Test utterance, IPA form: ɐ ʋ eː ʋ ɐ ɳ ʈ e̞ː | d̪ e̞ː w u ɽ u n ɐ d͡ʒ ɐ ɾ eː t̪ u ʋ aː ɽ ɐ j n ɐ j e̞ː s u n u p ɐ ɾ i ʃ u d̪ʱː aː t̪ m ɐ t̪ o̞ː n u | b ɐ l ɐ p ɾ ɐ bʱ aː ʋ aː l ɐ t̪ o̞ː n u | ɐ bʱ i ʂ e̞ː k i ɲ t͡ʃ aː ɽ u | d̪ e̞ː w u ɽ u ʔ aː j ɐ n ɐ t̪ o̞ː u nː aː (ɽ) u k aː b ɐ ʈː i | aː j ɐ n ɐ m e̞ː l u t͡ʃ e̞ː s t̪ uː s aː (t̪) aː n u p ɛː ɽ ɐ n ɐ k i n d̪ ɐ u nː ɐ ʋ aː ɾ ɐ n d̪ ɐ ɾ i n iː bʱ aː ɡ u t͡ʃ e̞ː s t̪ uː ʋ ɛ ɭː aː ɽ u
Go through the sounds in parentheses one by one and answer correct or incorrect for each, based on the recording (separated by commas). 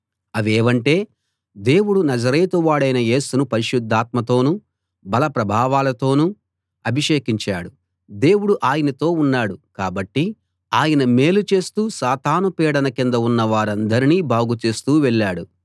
correct, correct